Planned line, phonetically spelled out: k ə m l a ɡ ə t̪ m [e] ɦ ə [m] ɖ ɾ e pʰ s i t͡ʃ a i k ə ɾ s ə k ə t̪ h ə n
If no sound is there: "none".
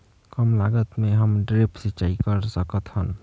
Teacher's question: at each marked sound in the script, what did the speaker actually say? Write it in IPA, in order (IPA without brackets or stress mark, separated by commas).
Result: e, m